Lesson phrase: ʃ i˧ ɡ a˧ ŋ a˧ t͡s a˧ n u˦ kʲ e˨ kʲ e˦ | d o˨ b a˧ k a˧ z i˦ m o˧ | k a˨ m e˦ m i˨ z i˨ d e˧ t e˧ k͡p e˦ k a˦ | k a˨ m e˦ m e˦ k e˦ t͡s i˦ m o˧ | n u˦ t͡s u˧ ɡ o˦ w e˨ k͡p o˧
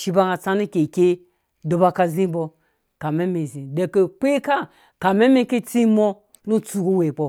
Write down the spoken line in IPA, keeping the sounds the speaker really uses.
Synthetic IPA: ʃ i˧ b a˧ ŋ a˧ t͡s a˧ n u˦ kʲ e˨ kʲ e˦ | d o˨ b a˧ k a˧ z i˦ b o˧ | k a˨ m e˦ m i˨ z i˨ d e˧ k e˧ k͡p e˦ k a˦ | k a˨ m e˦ m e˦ k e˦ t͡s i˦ m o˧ | n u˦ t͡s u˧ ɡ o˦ w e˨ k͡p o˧